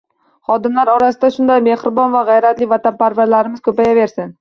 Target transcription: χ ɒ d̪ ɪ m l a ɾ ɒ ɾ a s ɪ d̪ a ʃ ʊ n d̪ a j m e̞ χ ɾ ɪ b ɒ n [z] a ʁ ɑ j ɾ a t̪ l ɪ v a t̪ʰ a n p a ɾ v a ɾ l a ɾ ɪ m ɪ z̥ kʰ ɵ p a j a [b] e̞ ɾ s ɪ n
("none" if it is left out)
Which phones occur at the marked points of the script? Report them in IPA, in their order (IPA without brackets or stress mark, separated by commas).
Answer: v, v